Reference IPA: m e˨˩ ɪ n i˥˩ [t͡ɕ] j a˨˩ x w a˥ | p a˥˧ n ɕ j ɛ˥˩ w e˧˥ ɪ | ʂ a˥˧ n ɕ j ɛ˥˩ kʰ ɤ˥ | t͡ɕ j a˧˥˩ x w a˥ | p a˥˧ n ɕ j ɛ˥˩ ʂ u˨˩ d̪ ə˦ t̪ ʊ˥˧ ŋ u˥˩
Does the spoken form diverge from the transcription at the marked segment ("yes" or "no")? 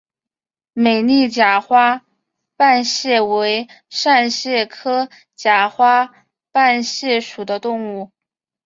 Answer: no